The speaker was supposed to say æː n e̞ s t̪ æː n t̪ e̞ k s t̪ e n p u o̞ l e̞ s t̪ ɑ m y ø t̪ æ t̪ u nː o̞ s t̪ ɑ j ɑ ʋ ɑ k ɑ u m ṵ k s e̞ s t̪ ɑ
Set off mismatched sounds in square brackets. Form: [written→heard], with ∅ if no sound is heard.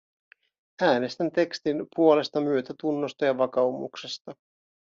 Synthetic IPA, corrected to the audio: æː n e̞ s t̪ [æː→æ] n t̪ e̞ k s t̪ [e→i] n p u o̞ l e̞ s t̪ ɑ m y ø t̪ æ t̪ u nː o̞ s t̪ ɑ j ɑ ʋ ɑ k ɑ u m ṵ k s e̞ s t̪ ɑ

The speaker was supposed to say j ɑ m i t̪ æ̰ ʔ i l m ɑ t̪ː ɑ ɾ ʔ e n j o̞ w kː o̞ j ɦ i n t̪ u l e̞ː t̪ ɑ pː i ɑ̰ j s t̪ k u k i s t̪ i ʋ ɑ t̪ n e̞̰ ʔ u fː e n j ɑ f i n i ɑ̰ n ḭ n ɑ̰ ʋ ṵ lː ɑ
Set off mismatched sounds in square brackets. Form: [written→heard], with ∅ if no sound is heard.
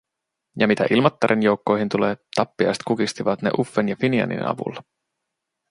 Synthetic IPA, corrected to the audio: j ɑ m i t̪ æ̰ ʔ i l m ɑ t̪ː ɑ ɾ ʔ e n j o̞ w kː o̞ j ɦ i n t̪ u l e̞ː t̪ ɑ pː i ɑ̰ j s t̪ k u k i s t̪ i ʋ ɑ t̪ n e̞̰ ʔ u fː e n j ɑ f i n i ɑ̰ n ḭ n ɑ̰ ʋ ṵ lː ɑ

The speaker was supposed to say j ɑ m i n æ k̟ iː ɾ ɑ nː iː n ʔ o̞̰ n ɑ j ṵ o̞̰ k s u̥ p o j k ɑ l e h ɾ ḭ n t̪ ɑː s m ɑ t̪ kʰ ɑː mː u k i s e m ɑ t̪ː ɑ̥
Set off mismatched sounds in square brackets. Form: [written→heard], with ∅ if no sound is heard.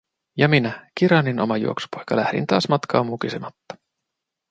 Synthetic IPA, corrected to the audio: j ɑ m i n æ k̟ [iː→i] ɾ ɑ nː [iː→i] n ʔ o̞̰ [n→m] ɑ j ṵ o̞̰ k s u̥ p o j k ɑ l [e→æ] h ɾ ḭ n t̪ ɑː s m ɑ t̪ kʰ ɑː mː u k i s e m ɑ t̪ː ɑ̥

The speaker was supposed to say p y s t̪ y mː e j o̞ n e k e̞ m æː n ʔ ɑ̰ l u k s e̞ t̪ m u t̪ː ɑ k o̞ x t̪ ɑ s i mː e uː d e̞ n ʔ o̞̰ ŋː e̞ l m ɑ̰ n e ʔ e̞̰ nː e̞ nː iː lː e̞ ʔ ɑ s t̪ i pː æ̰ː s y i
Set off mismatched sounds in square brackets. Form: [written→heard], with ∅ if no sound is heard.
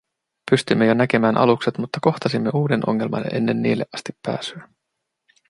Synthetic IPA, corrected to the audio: p y s t̪ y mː e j o̞ n [e→æ] k e̞ m æː n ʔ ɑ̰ l u k s e̞ t̪ m u t̪ː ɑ k o̞ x t̪ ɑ s i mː e uː d e̞ n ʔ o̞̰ ŋː e̞ l m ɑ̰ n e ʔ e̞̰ nː e̞ nː iː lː e̞ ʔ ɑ s t̪ i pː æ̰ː s y [i→æ]

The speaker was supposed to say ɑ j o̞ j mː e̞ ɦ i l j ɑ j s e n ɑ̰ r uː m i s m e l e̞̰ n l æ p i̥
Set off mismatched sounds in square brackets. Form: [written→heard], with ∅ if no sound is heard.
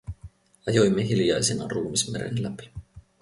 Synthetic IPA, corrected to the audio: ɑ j o̞ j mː e̞ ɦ i l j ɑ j s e n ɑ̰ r uː m i s m e [l→ɾ] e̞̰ n l æ p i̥

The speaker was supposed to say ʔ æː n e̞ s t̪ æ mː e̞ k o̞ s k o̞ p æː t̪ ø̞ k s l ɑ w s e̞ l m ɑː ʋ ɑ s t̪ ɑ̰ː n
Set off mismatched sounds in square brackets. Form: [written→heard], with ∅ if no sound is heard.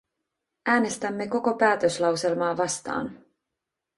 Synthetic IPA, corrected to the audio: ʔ æː n e̞ s t̪ æ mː e̞ k o̞ [s→∅] k o̞ p æː t̪ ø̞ [k→∅] s l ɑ w s e̞ l m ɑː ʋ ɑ s t̪ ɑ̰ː n

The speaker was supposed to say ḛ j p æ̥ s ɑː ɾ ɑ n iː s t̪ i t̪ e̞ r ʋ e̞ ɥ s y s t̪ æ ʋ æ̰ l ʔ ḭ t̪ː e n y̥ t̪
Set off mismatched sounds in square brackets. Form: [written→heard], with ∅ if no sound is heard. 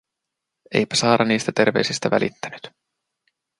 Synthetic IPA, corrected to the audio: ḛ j p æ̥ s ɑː ɾ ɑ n iː s t̪ [i→æ] t̪ e̞ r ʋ e̞ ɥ s [y→i] s t̪ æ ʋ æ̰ l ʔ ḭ t̪ː [e→æ] n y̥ t̪

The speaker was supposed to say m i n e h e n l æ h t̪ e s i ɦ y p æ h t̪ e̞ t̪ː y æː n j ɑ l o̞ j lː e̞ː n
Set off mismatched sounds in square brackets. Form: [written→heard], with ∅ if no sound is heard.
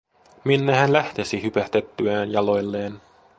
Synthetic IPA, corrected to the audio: m i [n→nː] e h [e→æ] n l æ h t̪ e s i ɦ y p æ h t̪ e̞ t̪ː y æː n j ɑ l o̞ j lː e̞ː n

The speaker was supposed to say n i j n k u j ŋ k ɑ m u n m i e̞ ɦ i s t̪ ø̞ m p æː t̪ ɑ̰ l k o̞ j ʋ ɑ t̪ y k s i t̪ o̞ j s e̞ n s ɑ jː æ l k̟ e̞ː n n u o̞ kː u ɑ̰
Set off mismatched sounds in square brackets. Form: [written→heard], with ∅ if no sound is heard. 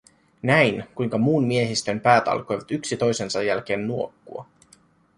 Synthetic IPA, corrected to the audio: n [i→æ] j n k u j ŋ k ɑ m [u→uː] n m i e̞ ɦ i s t̪ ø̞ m p æː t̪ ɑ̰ l k o̞ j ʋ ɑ t̪ y k s i t̪ o̞ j s e̞ n s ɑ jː æ l k̟ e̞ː n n u o̞ kː u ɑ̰

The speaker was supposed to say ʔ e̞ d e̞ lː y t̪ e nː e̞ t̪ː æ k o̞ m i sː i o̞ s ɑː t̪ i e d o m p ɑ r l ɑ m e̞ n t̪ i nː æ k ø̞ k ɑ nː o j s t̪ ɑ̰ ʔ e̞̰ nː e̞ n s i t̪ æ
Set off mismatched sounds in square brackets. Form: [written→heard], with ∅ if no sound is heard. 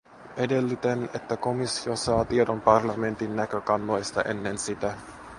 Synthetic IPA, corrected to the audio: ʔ e̞ d e̞ lː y t̪ e [nː→n] e̞ t̪ː æ k o̞ m i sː i o̞ s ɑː t̪ i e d o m p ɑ r l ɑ m e̞ n t̪ i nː æ k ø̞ k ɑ nː o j s t̪ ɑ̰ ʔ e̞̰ nː e̞ n s i t̪ æ

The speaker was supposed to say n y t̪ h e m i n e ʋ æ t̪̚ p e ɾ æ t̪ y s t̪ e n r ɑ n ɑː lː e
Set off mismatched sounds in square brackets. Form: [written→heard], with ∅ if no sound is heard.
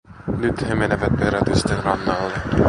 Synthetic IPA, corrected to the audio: n y t̪ h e m [i→e] n e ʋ æ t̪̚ p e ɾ æ t̪ y s t̪ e n r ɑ [n→nː] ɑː lː e

